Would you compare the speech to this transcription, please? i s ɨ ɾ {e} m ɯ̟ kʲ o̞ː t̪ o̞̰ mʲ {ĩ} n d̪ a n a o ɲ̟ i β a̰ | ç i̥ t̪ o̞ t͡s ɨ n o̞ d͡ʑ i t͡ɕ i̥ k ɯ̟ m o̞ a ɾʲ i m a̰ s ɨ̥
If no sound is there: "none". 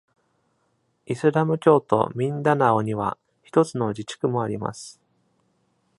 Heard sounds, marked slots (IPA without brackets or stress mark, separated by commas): a, ĩ